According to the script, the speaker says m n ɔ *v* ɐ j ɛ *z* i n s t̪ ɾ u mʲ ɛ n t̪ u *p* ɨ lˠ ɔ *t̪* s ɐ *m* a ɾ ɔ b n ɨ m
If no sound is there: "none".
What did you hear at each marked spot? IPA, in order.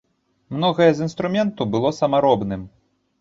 ɣ, z, b, none, m

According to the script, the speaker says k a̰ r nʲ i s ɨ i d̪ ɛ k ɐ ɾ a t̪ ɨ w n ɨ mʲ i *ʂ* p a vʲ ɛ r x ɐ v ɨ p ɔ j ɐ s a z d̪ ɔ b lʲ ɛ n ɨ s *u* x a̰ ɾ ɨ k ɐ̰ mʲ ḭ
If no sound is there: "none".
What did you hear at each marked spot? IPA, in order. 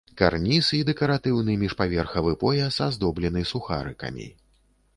ʂ, u

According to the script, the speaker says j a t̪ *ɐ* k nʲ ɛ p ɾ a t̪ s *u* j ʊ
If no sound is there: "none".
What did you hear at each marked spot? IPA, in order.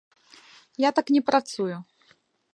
a, u

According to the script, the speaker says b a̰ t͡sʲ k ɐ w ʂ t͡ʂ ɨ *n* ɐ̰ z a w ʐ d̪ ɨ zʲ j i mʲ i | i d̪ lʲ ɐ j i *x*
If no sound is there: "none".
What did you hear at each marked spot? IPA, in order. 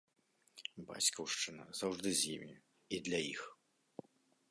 n, x

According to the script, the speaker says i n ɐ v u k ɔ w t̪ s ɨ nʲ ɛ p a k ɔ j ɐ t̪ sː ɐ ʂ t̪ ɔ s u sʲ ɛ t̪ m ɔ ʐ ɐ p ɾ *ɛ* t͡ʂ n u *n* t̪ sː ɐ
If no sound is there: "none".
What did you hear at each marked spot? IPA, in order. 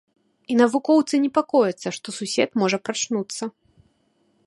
a, none

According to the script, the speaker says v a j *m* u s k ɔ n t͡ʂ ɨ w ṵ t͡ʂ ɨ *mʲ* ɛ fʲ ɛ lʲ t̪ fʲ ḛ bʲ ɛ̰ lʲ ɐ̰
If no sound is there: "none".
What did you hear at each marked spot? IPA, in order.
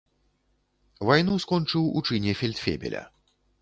n, nʲ

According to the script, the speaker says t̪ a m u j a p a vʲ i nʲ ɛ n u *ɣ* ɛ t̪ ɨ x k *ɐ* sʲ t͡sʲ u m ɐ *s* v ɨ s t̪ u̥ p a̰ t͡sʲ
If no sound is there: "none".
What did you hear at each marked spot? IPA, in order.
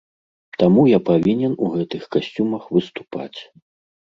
ɣ, a, x

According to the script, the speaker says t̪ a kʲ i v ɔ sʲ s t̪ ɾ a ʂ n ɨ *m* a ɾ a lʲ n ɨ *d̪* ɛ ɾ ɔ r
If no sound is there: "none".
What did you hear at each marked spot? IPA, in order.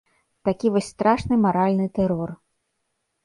m, t̪

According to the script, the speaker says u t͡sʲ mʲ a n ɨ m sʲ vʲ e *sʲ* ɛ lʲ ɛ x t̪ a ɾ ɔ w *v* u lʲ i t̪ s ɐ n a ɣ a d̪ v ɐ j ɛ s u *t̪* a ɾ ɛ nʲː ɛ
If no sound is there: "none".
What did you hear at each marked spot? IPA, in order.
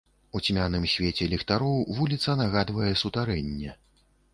t͡sʲ, v, t̪

